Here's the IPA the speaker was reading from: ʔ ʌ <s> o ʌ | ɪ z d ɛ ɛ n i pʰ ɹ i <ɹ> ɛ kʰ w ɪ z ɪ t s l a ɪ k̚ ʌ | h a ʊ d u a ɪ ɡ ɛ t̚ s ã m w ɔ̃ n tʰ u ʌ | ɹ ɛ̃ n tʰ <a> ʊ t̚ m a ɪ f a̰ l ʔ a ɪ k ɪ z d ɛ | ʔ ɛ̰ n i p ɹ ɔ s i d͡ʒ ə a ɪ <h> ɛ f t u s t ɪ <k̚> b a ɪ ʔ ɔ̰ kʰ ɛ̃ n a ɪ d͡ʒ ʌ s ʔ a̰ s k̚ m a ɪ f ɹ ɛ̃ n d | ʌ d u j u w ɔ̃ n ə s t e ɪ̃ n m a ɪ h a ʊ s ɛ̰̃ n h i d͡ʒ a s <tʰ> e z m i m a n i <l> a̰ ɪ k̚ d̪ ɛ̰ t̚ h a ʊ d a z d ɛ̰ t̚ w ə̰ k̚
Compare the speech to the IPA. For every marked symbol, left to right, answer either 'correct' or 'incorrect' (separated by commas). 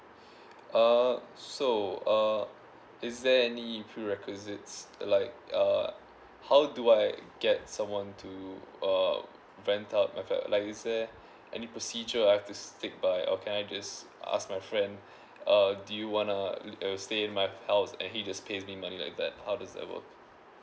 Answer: correct, correct, correct, correct, correct, incorrect, correct